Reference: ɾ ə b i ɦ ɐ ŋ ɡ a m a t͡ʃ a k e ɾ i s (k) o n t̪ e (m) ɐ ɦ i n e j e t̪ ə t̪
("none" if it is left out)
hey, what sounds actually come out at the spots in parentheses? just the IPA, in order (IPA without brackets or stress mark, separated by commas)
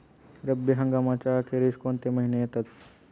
k, m